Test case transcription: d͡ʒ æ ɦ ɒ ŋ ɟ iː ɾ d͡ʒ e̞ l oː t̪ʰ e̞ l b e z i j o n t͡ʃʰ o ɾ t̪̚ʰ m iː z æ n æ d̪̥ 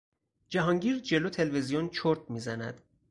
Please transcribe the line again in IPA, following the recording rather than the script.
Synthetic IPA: d͡ʒ æ ɦ ɒ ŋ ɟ iː ɾ d͡ʒ e̞ l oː t̪ʰ e̞ l v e z i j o n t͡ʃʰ o ɾ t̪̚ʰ m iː z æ n æ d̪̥